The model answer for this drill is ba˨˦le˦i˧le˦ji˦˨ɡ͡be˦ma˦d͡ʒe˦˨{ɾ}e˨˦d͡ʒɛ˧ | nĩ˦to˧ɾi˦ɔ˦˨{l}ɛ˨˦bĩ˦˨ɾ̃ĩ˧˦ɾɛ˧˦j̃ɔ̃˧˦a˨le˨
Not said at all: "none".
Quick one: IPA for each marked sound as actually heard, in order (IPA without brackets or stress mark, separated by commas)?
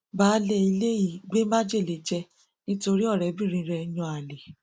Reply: l, ɾ